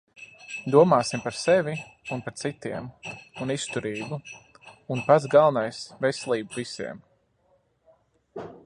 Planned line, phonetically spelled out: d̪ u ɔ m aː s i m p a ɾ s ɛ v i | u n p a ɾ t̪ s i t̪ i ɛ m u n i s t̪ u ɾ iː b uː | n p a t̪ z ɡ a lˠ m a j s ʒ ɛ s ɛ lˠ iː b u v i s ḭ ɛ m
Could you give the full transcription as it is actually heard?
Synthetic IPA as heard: d̪ u ɔ m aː s i m p a ɾ s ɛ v i | u n p a ɾ t̪ s i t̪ i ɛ m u n i s t̪ u ɾ iː b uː | n p a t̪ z ɡ a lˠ n a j s v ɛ s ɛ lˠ iː b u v i s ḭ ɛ m